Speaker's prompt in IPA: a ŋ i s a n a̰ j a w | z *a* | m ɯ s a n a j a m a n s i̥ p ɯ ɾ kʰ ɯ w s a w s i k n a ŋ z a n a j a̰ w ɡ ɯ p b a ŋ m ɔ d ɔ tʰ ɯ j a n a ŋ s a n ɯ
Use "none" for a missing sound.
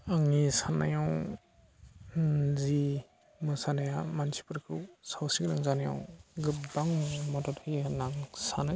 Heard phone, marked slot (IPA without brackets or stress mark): i